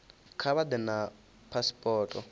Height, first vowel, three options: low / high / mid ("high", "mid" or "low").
low